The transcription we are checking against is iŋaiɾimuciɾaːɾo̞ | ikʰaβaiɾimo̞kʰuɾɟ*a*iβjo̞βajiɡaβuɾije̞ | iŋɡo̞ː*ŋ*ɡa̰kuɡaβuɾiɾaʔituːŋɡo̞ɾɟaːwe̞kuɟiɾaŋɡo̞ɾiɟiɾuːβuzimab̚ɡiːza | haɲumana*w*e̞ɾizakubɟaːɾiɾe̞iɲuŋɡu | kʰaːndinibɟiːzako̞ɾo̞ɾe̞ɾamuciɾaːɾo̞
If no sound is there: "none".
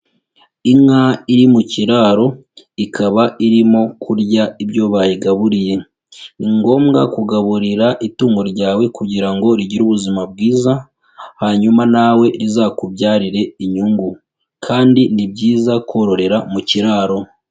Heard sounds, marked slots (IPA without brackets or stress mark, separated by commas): a, m, w